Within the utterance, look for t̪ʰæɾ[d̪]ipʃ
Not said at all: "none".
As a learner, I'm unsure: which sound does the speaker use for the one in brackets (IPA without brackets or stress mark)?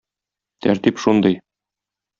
t̪